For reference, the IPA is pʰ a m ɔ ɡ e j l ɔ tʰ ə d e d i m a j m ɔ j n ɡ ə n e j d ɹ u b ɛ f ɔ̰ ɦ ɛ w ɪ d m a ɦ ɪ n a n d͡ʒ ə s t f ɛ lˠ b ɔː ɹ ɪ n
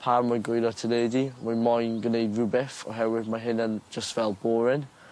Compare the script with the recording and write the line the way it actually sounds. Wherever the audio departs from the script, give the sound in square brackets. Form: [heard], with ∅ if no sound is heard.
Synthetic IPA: pʰ a m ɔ ɡ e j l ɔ tʰ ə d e d i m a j m ɔ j n ɡ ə n e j d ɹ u b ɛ f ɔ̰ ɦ ɛ w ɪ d m a ɦ ɪ n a n d͡ʒ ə s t [v] ɛ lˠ b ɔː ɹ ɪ n